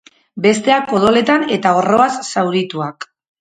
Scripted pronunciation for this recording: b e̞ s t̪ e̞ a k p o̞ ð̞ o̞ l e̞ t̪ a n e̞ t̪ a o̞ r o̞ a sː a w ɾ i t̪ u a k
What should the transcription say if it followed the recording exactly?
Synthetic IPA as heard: b e̞ s t̪ e̞ a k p o̞ ð̞ o̞ l e̞ t̪ a n e̞ t̪ a o̞ r o̞ a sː a w ɾ i t̪ u a k